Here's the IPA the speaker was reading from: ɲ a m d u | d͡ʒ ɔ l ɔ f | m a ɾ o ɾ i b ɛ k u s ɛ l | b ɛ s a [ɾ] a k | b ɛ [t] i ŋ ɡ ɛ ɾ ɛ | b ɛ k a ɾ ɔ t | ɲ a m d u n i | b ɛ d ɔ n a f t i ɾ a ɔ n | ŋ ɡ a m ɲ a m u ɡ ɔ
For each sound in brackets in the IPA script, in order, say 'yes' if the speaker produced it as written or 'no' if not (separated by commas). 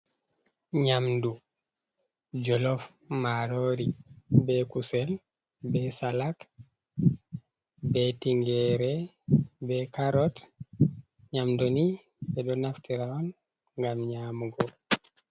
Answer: no, yes